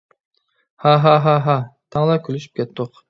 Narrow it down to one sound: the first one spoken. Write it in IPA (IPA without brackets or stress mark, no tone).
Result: h